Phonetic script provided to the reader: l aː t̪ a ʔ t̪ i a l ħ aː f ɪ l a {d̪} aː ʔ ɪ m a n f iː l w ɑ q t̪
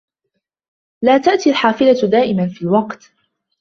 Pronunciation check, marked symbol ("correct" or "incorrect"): correct